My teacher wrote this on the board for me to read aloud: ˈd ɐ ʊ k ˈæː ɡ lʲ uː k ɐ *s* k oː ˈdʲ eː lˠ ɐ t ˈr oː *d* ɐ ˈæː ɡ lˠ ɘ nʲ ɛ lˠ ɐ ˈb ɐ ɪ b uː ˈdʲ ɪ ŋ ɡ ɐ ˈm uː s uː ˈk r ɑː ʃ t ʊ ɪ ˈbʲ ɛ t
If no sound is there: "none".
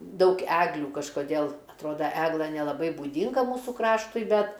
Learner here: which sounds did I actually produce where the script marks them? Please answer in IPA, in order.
ʃ, d

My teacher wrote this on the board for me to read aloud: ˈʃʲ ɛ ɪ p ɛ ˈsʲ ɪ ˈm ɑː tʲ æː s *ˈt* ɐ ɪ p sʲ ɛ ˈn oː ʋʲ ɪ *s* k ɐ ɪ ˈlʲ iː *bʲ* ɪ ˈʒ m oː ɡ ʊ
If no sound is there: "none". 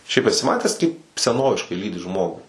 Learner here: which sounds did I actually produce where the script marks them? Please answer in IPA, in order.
k, ʃ, dʲ

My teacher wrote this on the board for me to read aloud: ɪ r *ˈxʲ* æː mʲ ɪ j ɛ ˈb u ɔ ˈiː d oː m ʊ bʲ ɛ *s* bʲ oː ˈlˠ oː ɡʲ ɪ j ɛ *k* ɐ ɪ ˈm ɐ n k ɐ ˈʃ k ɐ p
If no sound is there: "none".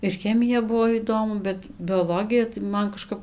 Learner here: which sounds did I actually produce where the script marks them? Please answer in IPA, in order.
xʲ, t, t

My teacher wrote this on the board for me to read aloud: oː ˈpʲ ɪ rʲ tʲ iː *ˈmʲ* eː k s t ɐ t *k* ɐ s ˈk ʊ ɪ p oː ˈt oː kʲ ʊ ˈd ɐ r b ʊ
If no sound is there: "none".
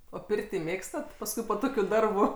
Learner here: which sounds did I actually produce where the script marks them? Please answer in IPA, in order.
mʲ, p

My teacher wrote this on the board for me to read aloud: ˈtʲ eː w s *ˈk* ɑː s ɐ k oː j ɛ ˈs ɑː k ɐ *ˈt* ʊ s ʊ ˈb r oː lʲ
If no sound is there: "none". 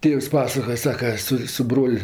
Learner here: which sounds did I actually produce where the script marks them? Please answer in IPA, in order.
p, s

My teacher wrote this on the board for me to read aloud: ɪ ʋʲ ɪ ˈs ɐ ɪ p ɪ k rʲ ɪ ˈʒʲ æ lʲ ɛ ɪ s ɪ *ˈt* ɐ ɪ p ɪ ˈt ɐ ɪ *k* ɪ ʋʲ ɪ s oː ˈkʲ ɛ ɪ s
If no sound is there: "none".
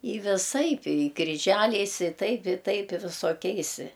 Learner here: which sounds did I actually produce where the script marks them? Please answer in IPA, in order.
t, p

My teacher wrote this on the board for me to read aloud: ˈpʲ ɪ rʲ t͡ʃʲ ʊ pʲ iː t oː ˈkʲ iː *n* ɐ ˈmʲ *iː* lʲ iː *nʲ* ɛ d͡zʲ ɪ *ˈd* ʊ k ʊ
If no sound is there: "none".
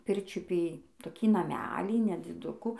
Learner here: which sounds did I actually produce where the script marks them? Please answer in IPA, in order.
n, æː, nʲ, d

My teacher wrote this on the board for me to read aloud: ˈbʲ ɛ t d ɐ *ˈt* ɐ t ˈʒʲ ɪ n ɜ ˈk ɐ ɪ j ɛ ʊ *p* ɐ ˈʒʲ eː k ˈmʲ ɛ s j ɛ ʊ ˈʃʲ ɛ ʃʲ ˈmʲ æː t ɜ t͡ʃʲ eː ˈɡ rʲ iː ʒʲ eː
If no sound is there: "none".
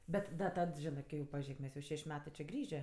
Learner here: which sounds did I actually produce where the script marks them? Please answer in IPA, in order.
t, p

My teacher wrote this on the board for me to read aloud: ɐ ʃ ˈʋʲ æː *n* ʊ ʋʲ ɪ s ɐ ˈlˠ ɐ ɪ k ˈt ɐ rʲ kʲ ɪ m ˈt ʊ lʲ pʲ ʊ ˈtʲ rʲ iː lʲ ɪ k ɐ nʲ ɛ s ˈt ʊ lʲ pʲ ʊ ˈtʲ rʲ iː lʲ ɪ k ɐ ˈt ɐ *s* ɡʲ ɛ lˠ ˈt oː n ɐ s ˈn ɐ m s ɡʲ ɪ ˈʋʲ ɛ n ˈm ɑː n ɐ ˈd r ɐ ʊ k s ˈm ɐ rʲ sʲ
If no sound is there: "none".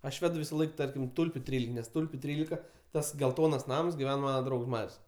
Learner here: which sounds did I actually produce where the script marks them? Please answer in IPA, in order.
d, s

